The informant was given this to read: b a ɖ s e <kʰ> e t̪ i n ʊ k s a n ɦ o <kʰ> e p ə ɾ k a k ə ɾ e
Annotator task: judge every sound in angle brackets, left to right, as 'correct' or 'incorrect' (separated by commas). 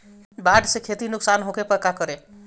correct, incorrect